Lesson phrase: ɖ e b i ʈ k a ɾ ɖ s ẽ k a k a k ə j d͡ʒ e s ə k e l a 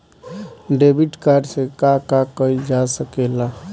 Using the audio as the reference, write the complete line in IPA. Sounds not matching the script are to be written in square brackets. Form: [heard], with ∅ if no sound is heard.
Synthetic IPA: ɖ e b i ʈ k a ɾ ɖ s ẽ k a k a k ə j d͡ʒ [a] s ə k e l a